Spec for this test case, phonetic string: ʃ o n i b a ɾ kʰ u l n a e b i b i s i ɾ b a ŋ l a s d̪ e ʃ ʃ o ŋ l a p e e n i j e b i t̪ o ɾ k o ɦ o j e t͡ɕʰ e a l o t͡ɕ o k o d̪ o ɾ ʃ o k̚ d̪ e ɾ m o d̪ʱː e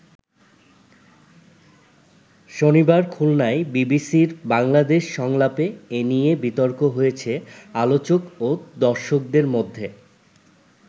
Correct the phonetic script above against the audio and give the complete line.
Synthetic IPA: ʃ o n i b a ɾ kʰ u l n a e b i b i s i ɾ b a ŋ l a d̪ e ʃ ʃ ɔ ŋ l a p e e n i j e b i t̪ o ɾ k o ɦ o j e t͡ɕʰ e a l o t͡ɕ o k o d̪ ɔ ɾ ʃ o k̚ d̪ e ɾ m o d̪ʱː e